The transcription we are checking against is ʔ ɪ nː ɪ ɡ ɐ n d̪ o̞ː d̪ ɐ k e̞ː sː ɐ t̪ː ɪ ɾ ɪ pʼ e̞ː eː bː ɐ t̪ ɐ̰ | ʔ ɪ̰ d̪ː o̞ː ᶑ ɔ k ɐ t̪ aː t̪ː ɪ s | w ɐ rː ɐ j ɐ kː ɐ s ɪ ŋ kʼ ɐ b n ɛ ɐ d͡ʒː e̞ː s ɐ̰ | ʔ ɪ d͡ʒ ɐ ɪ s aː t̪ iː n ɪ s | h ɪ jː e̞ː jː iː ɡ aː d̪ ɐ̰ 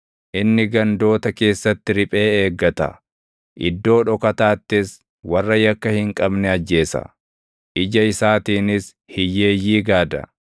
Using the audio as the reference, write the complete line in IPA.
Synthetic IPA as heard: ʔ ɪ nː ɪ ɡ ɐ n d̪ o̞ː t̪ ɐ k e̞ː sː ɐ t̪ː ɪ ɾ ɪ pʼ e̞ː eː ɡː ɐ t̪ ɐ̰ | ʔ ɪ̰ d̪ː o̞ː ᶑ ɔ k ɐ t̪ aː t̪ː ɪ s | w ɐ rː ɐ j ɐ kː ɐ h ɪ ŋ kʼ ɐ b n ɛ ɐ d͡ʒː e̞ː s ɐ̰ | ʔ ɪ d͡ʒ ɐ ɪ s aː t̪ iː n ɪ s | h ɪ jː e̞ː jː iː ɡ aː d̪ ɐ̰